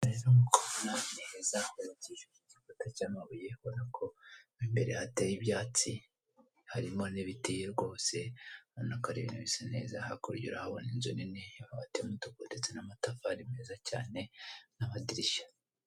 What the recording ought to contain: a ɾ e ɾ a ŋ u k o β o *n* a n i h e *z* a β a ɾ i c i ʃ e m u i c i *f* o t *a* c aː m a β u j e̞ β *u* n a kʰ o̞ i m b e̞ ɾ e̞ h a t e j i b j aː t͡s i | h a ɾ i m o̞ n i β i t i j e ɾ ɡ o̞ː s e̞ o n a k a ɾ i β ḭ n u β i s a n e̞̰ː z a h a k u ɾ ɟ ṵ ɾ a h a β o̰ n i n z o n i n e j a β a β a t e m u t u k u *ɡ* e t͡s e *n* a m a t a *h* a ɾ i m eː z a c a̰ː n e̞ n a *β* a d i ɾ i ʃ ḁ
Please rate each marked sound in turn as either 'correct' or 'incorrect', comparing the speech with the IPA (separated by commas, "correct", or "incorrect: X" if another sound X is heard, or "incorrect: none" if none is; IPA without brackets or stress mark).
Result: correct, correct, correct, correct, incorrect: o, incorrect: d, correct, incorrect: f, correct